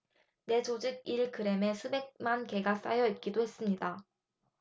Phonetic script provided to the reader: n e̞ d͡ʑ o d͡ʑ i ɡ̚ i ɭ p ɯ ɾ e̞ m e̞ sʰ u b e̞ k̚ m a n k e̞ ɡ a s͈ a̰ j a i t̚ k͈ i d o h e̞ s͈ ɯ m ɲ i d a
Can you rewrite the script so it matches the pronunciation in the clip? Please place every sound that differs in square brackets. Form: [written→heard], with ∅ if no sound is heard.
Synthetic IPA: n e̞ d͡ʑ o d͡ʑ i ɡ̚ i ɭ [p→k] ɯ ɾ e̞ m e̞ sʰ u b e̞ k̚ m a n k e̞ ɡ a s͈ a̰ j [a→ʌ] i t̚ k͈ i d o h e̞ s͈ ɯ m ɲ i d a